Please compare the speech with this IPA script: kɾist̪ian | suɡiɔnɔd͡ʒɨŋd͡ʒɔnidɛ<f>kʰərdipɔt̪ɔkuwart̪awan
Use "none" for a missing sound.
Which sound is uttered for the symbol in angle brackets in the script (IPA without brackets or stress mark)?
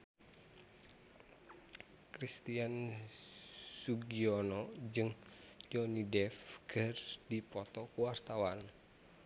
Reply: f